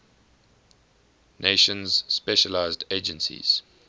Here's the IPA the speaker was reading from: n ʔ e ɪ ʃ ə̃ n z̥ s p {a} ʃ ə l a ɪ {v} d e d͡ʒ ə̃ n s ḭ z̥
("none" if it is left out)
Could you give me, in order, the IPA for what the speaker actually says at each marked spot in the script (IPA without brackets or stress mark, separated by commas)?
ɛ, z